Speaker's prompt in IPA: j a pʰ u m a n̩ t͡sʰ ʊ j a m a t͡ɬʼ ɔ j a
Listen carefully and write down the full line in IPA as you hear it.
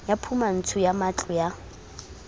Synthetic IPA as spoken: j a pʰ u m a n̩ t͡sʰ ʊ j a m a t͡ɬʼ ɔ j a